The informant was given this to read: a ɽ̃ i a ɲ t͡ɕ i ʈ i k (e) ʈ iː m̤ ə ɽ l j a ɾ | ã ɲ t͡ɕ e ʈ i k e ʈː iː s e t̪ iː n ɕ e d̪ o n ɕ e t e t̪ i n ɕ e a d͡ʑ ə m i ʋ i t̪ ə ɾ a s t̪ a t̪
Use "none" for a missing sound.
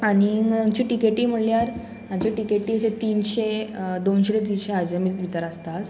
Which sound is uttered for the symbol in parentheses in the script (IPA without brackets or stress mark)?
e